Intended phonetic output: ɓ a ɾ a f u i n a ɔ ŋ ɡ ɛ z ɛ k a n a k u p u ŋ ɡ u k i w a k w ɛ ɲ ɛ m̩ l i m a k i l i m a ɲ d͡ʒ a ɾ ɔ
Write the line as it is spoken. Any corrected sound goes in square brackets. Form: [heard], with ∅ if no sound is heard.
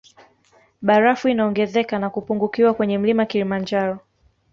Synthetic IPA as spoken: ɓ a ɾ a f u i n a ɔ ŋ ɡ ɛ z ɛ k a n a k u p u ŋ ɡ u k i w a k w ɛ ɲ ɛ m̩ l i m a k i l i m a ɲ d͡ʒ a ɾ ɔ